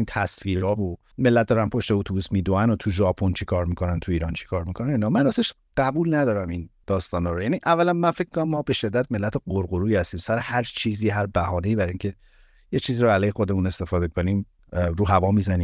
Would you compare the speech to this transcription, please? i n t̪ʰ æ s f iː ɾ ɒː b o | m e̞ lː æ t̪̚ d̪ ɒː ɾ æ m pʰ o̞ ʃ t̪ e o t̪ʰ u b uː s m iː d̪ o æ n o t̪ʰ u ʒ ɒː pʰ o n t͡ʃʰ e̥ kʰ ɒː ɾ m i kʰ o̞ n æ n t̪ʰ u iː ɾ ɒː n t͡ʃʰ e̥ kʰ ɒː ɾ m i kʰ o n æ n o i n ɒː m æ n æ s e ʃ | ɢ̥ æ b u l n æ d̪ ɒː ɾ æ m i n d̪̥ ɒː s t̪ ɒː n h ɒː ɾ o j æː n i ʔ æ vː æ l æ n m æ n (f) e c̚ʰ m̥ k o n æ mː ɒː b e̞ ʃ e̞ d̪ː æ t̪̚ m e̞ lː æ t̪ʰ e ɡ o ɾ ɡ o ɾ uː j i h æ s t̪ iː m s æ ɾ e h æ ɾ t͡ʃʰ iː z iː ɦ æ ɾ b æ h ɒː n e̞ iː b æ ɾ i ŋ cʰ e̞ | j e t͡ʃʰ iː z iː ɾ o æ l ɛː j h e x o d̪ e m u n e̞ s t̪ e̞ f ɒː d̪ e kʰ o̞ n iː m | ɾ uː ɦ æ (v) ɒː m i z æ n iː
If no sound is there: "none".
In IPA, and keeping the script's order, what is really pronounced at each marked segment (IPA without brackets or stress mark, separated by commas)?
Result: f, v